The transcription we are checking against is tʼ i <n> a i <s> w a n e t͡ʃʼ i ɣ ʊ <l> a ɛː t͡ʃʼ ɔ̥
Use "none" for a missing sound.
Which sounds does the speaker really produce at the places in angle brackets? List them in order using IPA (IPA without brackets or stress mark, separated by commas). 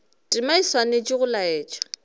m, s, l